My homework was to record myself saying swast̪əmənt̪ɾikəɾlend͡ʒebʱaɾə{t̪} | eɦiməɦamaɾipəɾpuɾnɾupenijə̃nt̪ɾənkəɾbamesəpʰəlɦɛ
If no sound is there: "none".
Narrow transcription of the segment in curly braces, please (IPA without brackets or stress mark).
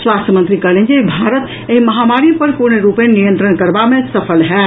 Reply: t̪